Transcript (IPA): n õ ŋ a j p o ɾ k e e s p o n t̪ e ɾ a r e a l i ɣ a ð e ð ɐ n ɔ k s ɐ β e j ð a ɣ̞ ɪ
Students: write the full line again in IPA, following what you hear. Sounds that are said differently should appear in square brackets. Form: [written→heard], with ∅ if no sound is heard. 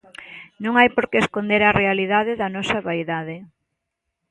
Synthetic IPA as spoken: n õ ŋ a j p o ɾ k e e s [p→k] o n [t̪→d̪] e ɾ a r e a l i [ɣ→ð] a ð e ð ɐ n ɔ [k→∅] s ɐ β [e→a] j ð a [ɣ̞→ð̞] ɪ